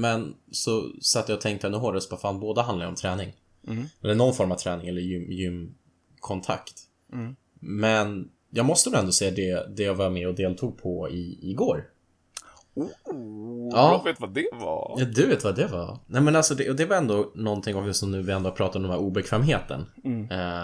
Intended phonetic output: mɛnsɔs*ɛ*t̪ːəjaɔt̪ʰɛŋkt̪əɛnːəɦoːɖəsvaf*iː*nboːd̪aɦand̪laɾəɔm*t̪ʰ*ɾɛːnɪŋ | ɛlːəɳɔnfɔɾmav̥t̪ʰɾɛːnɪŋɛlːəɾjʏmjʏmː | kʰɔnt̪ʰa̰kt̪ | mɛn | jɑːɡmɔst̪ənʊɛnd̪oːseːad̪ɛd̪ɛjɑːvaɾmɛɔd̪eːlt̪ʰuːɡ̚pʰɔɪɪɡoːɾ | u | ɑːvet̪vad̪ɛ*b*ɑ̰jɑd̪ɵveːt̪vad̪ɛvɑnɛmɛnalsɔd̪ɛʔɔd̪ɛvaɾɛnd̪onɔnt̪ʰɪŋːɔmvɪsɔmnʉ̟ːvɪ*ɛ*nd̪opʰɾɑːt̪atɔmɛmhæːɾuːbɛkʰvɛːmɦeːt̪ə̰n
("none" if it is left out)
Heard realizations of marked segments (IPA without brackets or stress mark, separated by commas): a, aː, t̪ʰ, v, ɛ